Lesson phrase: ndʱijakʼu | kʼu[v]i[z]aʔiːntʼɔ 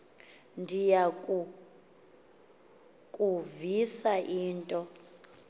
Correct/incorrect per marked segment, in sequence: correct, incorrect

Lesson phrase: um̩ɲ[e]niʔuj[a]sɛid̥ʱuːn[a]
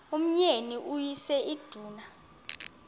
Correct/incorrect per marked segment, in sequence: correct, incorrect, correct

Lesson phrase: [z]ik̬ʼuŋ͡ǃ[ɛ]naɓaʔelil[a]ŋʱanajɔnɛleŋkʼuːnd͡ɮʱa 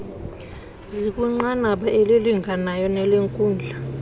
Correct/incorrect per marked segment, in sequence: correct, incorrect, incorrect

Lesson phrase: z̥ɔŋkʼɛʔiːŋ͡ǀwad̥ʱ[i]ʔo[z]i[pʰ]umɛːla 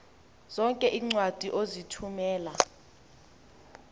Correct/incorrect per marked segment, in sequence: correct, correct, incorrect

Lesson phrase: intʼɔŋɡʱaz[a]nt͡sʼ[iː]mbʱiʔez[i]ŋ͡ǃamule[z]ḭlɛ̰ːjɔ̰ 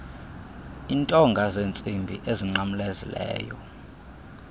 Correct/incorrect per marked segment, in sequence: incorrect, incorrect, correct, correct

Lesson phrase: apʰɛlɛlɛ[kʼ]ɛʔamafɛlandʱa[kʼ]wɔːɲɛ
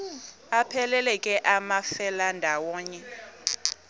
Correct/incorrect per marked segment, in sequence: correct, incorrect

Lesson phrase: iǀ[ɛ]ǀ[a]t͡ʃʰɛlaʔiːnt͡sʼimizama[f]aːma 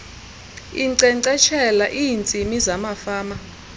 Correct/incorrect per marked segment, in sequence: correct, incorrect, correct

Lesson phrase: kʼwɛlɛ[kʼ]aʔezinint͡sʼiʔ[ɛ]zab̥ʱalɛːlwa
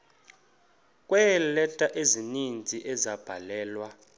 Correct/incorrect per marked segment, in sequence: incorrect, correct

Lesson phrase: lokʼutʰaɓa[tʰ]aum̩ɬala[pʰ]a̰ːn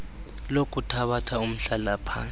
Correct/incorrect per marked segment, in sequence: correct, correct

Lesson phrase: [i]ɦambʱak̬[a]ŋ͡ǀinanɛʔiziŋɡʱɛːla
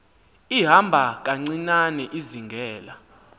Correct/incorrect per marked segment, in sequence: correct, correct

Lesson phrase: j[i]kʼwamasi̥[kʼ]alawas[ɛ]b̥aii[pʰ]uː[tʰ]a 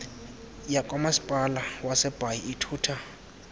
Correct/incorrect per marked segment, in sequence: incorrect, incorrect, correct, incorrect, correct

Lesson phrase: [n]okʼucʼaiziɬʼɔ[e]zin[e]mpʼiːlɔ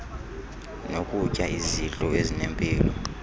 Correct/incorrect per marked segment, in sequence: correct, correct, correct

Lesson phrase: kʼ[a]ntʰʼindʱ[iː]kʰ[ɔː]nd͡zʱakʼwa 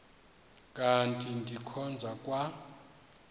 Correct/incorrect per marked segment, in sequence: correct, incorrect, incorrect

